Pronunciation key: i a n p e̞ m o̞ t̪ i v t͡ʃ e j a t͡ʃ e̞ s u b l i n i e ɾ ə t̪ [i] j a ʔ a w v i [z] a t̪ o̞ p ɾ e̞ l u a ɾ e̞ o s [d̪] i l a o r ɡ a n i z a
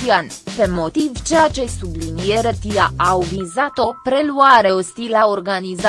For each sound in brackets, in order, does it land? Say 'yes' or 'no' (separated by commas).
yes, yes, no